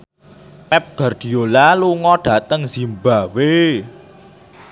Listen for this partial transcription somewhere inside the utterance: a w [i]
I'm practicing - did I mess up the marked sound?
yes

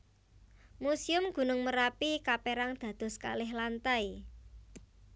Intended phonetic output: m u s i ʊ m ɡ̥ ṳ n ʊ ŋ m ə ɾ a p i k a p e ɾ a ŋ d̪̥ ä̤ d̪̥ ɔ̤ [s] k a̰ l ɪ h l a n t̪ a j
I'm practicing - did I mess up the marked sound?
no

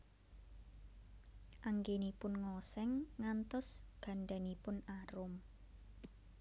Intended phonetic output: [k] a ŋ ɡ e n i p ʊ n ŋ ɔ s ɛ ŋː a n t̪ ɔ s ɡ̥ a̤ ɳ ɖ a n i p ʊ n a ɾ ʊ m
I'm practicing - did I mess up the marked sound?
yes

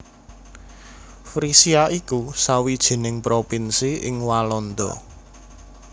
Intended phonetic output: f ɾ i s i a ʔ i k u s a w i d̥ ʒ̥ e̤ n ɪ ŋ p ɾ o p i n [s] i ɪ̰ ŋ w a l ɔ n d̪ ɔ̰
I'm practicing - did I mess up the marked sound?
no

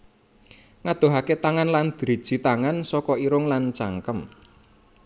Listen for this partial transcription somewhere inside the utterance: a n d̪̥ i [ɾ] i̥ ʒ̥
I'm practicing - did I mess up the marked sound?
no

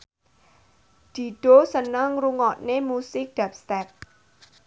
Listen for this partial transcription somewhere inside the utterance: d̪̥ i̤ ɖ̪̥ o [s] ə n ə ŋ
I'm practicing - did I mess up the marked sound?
no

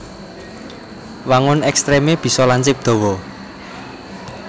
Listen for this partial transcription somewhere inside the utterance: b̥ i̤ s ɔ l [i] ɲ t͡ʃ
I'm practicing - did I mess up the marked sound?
yes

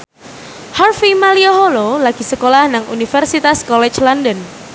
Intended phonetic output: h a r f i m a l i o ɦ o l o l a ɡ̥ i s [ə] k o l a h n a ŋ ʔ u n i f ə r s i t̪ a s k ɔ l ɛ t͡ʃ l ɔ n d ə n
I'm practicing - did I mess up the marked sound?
no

